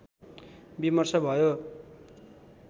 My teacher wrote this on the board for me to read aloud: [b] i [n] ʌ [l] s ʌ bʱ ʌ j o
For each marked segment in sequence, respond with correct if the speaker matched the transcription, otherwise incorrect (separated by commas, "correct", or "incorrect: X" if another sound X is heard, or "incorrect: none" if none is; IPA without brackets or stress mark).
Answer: correct, incorrect: m, incorrect: r